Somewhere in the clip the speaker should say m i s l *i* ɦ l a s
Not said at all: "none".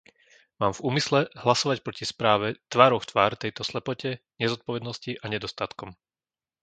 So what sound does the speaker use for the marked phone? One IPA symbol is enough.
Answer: ɛ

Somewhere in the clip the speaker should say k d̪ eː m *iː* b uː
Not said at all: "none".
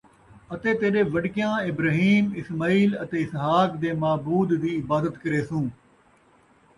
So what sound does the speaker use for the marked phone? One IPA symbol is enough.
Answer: aː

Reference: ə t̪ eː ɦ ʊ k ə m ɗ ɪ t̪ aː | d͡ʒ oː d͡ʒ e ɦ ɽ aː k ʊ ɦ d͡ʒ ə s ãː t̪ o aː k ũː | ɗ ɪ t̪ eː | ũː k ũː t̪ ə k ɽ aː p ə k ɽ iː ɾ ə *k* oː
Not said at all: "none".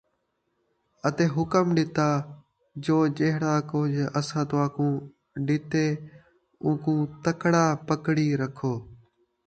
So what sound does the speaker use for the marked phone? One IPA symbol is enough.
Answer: kʰ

